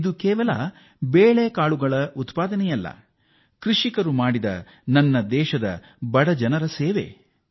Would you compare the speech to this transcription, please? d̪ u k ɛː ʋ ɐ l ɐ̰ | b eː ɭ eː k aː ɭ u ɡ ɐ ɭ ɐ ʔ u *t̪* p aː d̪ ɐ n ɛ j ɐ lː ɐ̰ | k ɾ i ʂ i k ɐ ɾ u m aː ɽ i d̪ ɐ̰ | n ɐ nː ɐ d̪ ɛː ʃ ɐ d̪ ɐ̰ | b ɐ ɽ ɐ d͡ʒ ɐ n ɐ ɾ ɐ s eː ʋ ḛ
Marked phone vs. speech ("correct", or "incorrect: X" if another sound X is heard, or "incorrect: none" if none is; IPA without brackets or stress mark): correct